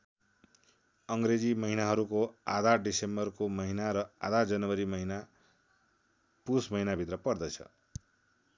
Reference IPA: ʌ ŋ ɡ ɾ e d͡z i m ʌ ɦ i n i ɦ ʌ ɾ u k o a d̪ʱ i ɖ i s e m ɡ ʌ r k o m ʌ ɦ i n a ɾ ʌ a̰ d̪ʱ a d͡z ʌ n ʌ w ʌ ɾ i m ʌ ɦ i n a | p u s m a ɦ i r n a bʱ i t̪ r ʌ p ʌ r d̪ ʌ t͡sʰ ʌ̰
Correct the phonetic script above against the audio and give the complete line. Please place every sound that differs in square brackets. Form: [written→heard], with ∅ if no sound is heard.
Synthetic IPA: ʌ ŋ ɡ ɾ e d͡z i m ʌ ɦ i n [i→a] ɦ ʌ ɾ u k o a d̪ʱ [i→a] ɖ i s e m [ɡ→b] ʌ r k o m ʌ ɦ i n a ɾ ʌ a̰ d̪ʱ a d͡z ʌ n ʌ w ʌ ɾ i m ʌ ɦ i n a | p u s m [a→ʌ] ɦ i [r→∅] n a bʱ i t̪ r ʌ p ʌ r d̪ ʌ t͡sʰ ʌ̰